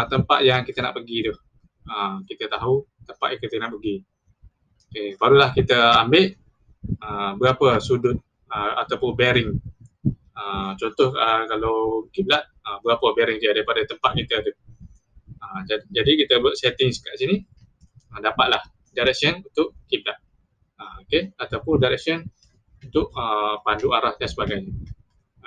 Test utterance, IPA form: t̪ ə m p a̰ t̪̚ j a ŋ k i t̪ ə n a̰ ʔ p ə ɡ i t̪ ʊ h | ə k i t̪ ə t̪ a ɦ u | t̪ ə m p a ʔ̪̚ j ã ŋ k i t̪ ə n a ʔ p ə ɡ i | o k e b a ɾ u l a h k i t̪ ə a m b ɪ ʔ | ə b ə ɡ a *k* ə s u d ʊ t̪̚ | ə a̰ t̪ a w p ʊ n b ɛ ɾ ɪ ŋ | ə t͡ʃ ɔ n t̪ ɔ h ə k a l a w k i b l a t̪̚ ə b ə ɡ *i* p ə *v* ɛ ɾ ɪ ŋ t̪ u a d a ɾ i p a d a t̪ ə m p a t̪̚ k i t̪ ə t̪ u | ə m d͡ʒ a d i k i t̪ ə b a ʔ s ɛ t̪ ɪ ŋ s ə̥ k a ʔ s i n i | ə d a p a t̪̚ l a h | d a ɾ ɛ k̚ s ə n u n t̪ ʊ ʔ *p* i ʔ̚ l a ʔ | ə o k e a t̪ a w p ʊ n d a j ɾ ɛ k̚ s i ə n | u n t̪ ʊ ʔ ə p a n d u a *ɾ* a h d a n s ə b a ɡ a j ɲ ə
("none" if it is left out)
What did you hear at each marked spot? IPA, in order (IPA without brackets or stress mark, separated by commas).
p, a, b, k, ɾ